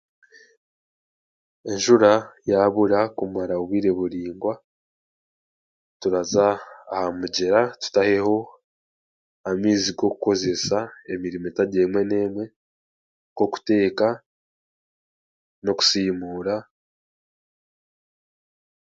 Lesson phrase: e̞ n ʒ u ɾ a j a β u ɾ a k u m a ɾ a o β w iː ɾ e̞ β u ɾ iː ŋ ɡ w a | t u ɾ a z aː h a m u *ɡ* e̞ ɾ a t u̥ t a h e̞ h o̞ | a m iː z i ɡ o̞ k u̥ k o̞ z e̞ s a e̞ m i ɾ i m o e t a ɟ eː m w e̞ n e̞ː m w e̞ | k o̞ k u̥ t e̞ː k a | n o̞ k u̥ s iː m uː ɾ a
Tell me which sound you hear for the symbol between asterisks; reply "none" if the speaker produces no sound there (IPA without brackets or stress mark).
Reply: ɟ